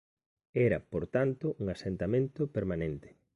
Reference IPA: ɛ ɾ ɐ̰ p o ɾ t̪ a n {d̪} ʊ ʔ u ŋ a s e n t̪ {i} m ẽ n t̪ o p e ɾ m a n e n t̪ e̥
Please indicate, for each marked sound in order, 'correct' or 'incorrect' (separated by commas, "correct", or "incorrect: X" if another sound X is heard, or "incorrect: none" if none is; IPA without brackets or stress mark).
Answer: incorrect: t̪, incorrect: a